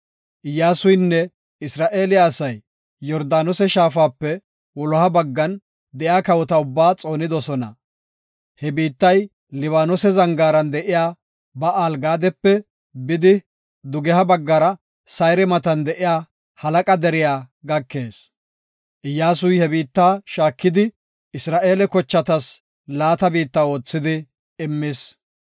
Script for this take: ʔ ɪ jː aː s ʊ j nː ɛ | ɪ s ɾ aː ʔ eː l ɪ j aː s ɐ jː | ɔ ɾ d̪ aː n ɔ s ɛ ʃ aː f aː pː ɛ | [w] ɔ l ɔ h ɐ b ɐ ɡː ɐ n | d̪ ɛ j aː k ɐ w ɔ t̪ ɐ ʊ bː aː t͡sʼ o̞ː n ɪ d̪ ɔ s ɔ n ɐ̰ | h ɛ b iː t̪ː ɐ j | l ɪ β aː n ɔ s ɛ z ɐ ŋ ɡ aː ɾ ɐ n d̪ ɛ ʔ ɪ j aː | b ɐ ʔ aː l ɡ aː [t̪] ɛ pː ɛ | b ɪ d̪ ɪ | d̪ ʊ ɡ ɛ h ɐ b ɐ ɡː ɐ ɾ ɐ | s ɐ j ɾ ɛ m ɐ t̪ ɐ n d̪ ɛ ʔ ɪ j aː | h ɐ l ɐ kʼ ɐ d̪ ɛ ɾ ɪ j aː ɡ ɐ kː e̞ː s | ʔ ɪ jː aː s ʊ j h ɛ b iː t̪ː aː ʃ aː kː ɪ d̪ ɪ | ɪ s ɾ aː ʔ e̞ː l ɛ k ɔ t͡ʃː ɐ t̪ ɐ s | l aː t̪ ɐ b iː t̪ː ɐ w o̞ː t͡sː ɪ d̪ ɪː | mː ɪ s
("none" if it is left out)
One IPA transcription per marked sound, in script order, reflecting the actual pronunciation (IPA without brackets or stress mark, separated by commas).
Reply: w, d̪